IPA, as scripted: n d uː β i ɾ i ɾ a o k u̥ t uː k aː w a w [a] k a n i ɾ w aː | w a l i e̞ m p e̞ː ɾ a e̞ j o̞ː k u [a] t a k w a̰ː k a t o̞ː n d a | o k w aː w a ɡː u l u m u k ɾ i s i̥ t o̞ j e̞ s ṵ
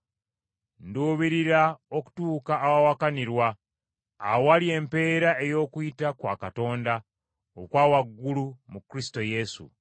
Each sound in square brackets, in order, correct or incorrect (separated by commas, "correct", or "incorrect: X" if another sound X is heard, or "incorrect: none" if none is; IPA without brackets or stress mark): correct, incorrect: i